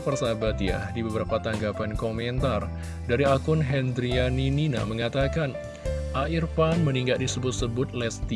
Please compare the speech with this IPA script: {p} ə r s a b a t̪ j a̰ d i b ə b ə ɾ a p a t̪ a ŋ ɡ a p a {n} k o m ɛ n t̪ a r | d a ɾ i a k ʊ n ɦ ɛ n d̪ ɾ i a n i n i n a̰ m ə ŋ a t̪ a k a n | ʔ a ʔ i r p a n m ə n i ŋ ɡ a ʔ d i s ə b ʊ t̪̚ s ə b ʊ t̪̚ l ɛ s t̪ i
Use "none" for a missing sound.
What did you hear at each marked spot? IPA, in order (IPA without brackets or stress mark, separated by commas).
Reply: p, n